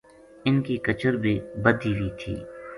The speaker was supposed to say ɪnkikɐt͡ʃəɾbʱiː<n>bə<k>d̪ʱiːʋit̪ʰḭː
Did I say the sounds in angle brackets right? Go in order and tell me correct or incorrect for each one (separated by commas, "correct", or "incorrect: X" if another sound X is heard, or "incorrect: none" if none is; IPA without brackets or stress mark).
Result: incorrect: none, incorrect: none